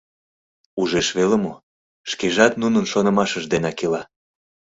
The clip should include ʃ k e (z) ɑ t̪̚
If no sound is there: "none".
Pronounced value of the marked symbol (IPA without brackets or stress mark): ʒ